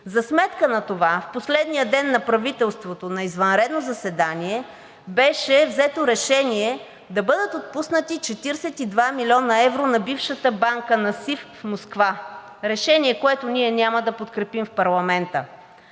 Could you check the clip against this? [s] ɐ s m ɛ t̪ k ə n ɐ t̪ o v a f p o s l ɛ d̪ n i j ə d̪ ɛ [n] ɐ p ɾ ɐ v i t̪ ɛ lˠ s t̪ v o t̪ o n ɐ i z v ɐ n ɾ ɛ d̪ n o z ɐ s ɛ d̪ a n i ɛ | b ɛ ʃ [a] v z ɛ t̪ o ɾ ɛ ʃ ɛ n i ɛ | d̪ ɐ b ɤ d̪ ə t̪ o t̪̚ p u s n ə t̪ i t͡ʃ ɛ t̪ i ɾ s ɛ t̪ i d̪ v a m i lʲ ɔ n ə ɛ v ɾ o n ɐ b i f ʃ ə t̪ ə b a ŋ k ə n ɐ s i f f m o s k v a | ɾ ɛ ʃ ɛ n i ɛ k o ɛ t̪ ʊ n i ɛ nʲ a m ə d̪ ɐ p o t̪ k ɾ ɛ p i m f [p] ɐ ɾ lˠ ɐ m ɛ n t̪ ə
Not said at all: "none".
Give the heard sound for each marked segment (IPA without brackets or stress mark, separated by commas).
z, nː, ɛ, p